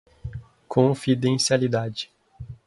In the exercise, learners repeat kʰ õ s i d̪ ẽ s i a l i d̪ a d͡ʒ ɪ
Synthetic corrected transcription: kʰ õ f i d̪ ẽ s i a l i d̪ a d͡ʒ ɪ

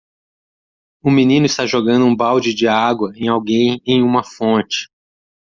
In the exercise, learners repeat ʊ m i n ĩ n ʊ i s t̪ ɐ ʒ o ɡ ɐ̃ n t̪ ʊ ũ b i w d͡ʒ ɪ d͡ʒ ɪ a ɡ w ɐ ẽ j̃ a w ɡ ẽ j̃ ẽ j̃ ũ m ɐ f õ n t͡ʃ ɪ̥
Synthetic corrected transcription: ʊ m i n ĩ n ʊ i s t̪ a ʒ o ɡ ɐ̃ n d̪ ʊ ũ b a w d͡ʒ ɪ d͡ʒ ɪ a ɡ w ɐ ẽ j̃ a w ɡ ẽ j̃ ẽ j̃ ũ m ɐ f õ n t͡ʃ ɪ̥

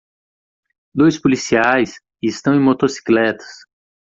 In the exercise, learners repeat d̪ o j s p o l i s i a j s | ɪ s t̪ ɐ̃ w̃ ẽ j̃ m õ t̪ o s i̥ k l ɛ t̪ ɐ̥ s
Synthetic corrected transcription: d̪ o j s p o l i s i a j s | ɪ s t̪ ɐ̃ w̃ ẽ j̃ m o t̪ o s i̥ k l ɛ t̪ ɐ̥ s

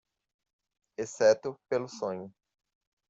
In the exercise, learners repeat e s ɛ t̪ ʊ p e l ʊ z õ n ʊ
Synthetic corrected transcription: e s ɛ t̪ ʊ p e l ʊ s õ ɲ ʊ

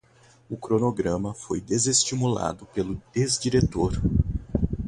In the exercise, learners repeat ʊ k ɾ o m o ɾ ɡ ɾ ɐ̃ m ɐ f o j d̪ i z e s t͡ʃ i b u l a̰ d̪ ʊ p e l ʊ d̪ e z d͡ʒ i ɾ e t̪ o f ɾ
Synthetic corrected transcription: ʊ k ɾ o n o ɡ ɾ ɐ̃ m ɐ f o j d̪ e z e s t͡ʃ i m u l a̰ d̪ ʊ p e l ʊ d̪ e z d͡ʒ i ɾ e t̪ o ɾ

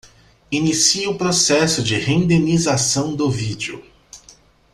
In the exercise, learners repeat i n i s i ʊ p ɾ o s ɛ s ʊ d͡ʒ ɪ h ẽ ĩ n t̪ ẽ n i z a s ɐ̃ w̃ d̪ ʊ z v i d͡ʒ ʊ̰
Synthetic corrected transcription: i n i s i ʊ p ɾ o s ɛ s ʊ d͡ʒ ɪ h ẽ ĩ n d̪ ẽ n i z a s ɐ̃ w̃ d̪ ʊ v i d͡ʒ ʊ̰

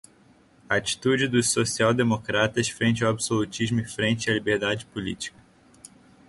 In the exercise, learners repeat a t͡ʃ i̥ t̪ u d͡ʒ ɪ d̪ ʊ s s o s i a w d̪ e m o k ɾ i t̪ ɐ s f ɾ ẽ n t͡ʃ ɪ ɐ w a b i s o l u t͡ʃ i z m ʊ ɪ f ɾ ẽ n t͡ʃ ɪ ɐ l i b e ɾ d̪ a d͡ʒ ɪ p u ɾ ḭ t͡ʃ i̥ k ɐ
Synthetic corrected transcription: a t͡ʃ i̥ t̪ u d͡ʒ ɪ d̪ ʊ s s o s i a w d̪ e m o k ɾ a t̪ ɐ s f ɾ ẽ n t͡ʃ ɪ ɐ w a b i s o l u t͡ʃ i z m ʊ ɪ f ɾ ẽ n t͡ʃ ɪ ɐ l i b e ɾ d̪ a d͡ʒ ɪ p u l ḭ t͡ʃ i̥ k ɐ

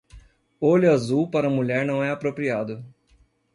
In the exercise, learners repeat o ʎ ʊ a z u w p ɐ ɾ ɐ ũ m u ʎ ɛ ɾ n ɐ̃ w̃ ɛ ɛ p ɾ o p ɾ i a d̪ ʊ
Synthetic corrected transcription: o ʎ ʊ a z u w p a ɾ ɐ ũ m u ʎ ɛ ɾ n ɐ̃ w̃ ɛ a p ɾ o p ɾ i a d̪ ʊ

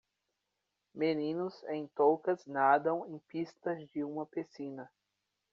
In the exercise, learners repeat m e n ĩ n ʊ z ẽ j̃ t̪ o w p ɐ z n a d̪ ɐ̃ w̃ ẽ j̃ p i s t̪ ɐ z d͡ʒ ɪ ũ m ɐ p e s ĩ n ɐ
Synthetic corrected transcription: m e n ĩ n ʊ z ẽ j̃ t̪ o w k ɐ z n a d̪ ɐ̃ w̃ ẽ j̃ p i s t̪ ɐ z d͡ʒ ɪ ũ m ɐ p e s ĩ n ɐ

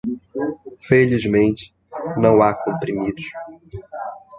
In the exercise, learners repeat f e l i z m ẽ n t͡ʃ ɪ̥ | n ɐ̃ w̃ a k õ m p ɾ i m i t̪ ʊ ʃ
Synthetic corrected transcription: f e l i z m ẽ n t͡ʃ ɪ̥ | n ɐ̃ w̃ a k õ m p ɾ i m i d̪ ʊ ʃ

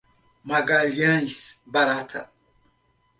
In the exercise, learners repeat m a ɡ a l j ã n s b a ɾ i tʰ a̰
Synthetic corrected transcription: m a ɡ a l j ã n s b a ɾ a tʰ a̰

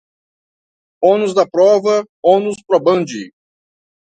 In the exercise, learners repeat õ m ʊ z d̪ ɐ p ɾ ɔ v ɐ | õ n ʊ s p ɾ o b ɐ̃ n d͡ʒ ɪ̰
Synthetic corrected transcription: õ n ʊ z d̪ ɐ p ɾ ɔ v ɐ | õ n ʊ s p ɾ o b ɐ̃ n d͡ʒ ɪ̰

